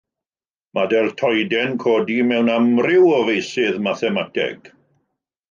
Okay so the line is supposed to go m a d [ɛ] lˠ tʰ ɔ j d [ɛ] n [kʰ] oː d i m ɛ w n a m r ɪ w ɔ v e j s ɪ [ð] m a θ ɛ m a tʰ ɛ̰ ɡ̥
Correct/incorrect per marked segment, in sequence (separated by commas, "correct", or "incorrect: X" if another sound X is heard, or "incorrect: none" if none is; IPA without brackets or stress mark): correct, correct, correct, correct